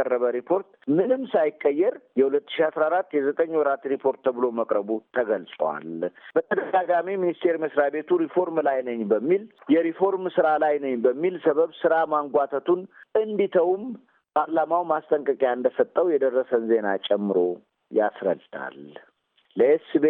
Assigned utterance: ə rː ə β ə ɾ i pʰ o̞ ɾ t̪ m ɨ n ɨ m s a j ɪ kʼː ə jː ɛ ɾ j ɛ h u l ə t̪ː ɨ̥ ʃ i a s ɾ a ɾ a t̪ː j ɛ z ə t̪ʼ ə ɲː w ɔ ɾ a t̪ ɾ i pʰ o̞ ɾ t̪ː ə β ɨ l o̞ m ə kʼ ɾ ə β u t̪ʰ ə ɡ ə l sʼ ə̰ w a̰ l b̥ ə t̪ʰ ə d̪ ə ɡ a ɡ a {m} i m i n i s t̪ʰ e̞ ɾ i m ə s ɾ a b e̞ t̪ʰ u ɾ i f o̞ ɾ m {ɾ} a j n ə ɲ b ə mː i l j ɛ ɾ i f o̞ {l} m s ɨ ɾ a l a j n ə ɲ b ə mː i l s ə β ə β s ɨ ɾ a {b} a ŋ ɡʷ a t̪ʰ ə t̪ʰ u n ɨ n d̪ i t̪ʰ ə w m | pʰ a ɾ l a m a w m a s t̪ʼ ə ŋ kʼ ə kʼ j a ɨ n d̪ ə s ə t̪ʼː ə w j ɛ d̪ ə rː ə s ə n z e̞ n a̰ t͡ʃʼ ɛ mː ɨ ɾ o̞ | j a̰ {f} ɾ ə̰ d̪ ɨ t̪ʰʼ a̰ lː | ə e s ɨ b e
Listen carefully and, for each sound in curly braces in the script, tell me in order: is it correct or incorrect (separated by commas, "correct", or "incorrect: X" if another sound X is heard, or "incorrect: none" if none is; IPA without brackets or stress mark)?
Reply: correct, incorrect: l, incorrect: ɾ, incorrect: m, incorrect: s